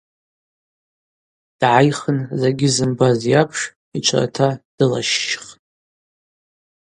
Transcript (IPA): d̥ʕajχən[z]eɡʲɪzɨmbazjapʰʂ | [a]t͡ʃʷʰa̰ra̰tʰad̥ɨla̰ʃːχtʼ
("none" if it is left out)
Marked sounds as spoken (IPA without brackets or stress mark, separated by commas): z, i